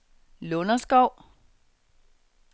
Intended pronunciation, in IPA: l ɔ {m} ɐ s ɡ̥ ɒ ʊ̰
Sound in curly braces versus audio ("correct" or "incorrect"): incorrect